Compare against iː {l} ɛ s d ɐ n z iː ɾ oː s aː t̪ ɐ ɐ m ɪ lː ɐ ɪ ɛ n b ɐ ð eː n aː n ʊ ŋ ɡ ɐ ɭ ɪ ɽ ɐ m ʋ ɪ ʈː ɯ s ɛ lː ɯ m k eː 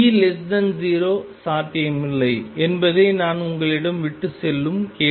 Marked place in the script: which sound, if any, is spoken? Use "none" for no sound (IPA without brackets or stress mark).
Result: l